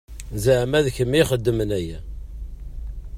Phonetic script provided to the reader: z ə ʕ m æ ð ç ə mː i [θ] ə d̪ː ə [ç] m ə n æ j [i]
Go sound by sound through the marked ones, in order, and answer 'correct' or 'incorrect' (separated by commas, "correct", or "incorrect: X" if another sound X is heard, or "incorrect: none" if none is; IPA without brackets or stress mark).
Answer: incorrect: χ, incorrect: none, incorrect: æ